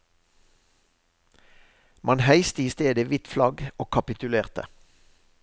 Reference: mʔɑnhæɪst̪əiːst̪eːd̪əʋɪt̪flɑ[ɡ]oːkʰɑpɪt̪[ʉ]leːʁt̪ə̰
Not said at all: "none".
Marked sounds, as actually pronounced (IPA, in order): ɡ, ʉ

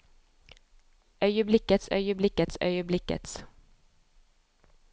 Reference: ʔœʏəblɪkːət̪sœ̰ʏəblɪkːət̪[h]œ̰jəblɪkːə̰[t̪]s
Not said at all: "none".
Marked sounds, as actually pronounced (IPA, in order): s, t̪

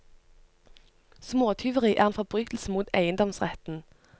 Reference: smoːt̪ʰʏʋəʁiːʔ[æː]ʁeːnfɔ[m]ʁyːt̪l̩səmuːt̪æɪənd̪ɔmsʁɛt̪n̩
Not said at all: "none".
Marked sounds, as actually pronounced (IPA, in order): æː, b

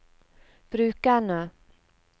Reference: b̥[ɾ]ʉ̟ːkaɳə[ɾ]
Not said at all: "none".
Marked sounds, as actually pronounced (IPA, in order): ɾ, none

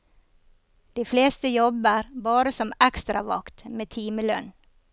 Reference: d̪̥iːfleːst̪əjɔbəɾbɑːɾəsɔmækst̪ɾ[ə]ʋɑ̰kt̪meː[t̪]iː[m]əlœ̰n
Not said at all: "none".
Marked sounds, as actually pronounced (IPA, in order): ɑ, t̪ʰ, m

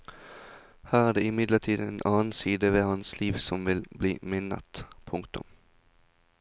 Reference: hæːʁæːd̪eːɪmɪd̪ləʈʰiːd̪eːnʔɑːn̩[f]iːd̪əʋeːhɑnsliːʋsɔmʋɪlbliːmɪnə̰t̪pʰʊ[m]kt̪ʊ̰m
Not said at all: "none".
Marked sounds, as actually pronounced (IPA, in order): s, ŋ

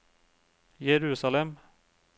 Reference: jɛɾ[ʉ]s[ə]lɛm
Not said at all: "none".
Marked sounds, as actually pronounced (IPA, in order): ʉː, a

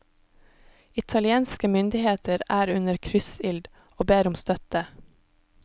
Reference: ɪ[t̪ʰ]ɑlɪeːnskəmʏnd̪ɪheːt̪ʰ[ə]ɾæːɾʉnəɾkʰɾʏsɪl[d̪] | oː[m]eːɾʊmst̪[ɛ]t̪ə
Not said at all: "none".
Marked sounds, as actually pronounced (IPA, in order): t̪ʰ, ə, d̪, b, œ

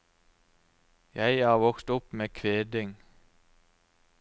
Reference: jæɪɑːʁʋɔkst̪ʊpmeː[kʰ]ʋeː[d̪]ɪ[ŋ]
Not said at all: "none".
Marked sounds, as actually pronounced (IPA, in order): kʰ, d̪, ŋ

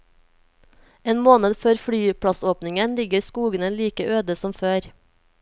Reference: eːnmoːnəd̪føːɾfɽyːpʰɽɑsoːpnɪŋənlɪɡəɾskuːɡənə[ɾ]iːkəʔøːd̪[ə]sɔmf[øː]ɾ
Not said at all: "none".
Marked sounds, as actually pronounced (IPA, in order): l, ə, øː

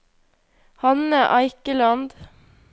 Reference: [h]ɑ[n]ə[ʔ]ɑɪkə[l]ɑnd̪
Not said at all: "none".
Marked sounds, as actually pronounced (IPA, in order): h, n, ʔ, l

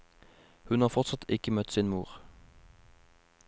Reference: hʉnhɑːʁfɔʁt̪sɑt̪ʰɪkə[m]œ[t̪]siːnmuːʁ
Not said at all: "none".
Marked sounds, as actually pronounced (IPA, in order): m, t̪

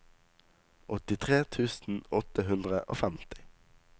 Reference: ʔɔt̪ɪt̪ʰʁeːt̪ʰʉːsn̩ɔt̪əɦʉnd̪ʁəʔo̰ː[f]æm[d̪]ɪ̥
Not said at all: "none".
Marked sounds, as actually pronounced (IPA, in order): f, t̪

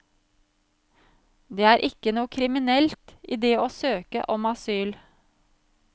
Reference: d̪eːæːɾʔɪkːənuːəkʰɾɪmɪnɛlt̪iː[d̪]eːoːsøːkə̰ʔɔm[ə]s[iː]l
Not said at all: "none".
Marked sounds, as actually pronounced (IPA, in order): d̪, ɑ, yː

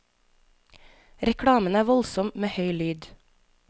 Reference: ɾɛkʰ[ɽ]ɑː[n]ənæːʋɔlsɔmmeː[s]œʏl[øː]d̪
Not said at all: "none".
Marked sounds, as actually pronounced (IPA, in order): ɽ, m, h, yː

